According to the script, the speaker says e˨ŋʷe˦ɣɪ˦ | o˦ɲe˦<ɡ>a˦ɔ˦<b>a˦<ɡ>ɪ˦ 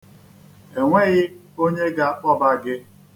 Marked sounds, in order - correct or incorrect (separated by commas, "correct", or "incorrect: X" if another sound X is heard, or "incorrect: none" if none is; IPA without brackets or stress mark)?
correct, correct, correct